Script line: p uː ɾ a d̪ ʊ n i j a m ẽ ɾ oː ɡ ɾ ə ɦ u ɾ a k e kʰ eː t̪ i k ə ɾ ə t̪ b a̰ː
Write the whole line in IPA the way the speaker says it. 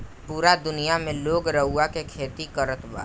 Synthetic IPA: p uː ɾ a d̪ ʊ n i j a m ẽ l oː ɡ ɾ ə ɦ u a k e kʰ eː t̪ i k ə ɾ ə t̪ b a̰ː